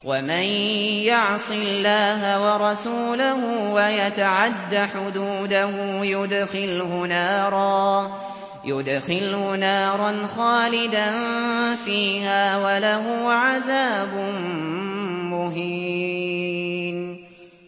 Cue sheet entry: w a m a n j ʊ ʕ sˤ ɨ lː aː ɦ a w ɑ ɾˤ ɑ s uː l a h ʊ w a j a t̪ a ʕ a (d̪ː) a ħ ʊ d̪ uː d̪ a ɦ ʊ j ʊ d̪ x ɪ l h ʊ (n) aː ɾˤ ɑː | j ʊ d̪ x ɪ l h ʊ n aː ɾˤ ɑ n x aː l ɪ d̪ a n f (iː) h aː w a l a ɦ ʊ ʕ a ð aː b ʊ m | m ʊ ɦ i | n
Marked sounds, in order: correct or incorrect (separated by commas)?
correct, correct, correct